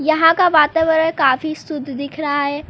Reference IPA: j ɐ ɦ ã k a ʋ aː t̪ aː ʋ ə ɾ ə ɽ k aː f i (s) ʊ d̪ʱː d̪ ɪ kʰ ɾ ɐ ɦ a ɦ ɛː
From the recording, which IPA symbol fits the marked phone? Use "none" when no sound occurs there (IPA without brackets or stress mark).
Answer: s